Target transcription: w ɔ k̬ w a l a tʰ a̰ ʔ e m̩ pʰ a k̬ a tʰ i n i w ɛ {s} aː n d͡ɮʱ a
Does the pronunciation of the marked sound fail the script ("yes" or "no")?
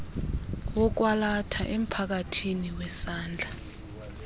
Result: no